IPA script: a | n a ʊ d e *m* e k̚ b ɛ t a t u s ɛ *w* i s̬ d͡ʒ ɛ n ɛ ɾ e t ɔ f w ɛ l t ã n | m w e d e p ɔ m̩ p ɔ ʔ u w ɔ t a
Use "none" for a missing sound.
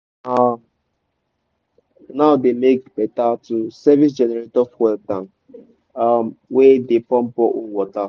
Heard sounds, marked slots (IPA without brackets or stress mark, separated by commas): m, v